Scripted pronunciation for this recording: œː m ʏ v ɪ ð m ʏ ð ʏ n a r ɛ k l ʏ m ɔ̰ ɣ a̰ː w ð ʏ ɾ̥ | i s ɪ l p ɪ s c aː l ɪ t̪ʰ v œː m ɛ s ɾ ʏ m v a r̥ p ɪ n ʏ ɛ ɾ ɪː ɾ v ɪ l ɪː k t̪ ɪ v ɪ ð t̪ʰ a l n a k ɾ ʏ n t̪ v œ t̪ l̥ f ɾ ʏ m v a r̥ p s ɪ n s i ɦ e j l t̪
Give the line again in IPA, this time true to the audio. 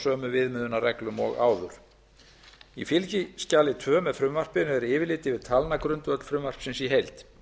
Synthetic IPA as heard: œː m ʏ v ɪ ð m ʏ ð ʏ n a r ɛ k l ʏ m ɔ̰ ɣ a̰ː w ð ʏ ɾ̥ | i f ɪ l c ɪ s c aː l ɪ t̪ʰ v œː m ɛ f ɾ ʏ m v a r̥ p ɪ n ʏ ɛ ɾ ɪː v ɪ l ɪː t̪ ɪ v ɪ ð t̪ʰ a l n a k ɾ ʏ n t̪ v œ t̪ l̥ f ɾ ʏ m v a r̥ p s ɪ n s i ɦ e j l t̪